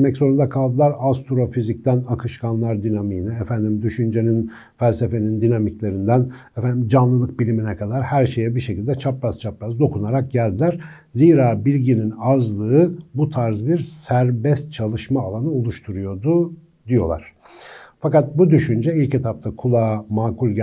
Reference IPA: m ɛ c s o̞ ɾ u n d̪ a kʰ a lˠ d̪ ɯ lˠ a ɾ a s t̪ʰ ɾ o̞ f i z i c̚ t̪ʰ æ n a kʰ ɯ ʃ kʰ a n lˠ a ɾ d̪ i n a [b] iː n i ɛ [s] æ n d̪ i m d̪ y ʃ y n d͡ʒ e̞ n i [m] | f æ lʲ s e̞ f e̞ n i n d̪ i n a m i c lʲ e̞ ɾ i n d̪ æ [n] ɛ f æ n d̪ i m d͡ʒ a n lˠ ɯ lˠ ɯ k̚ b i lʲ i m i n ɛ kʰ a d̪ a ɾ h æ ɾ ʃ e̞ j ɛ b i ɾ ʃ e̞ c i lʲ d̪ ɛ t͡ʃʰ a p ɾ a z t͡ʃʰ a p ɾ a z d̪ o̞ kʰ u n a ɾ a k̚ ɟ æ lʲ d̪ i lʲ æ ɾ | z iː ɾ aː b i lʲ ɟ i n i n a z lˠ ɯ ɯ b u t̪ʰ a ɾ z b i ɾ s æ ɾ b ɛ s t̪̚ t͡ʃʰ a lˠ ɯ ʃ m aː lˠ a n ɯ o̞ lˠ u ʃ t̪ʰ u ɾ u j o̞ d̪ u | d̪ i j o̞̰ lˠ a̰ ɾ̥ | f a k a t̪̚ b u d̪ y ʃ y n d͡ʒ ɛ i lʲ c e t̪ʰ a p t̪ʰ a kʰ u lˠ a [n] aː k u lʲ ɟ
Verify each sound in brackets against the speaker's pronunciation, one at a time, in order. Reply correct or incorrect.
incorrect, incorrect, incorrect, correct, incorrect

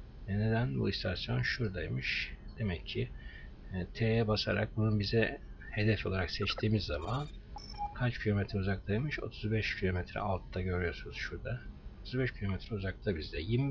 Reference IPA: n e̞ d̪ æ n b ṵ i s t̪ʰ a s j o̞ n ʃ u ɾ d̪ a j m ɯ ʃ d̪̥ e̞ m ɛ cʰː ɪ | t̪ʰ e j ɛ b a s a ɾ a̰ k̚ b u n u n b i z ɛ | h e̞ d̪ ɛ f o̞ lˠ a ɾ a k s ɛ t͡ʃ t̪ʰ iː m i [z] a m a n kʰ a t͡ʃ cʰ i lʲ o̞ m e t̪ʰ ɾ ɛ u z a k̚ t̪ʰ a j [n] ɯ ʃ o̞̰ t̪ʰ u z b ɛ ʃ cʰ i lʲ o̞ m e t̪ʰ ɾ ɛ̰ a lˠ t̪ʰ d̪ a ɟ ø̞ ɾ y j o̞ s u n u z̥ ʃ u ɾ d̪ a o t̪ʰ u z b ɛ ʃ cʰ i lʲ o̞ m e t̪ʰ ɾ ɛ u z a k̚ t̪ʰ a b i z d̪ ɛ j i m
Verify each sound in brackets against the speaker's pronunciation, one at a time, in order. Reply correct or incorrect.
incorrect, incorrect

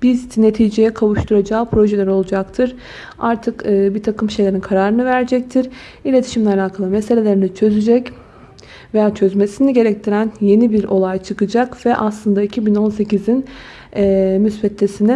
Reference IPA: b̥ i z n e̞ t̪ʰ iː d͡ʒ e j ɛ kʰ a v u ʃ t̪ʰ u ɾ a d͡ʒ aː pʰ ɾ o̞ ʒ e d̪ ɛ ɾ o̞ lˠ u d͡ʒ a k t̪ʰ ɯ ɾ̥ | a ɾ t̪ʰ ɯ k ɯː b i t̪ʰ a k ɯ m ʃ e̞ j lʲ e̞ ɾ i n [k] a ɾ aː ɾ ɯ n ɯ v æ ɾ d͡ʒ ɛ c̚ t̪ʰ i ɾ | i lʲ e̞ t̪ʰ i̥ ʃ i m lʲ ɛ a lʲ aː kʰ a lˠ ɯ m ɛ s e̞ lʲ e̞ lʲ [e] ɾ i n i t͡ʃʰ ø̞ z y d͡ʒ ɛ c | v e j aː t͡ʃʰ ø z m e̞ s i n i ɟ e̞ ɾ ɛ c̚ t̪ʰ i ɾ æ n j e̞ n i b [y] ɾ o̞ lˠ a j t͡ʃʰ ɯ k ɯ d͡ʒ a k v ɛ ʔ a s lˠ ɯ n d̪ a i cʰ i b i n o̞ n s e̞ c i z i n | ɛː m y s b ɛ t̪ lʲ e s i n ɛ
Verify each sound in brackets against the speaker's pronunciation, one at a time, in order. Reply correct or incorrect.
incorrect, correct, incorrect

